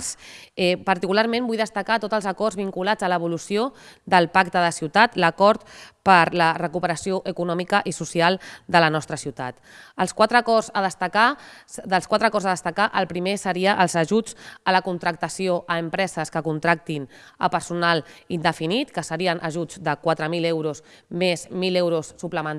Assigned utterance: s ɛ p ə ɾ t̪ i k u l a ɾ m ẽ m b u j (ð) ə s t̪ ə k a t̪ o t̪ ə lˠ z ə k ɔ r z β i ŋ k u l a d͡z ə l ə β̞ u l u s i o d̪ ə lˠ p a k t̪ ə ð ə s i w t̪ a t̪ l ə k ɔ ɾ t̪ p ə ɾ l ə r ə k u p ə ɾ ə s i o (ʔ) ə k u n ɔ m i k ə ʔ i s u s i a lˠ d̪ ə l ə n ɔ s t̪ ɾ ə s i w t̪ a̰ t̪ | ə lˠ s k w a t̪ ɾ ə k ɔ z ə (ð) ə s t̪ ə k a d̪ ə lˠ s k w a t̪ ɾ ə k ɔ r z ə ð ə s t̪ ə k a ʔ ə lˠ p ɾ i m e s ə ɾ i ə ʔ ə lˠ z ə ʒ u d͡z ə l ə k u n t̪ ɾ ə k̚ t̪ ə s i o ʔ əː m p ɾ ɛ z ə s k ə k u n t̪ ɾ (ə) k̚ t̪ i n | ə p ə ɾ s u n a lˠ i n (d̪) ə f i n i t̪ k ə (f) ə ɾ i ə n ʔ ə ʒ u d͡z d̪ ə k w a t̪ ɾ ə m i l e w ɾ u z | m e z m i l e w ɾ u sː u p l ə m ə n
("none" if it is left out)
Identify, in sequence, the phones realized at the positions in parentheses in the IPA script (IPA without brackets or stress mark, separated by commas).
ð, ʔ, ð, a, d̪, s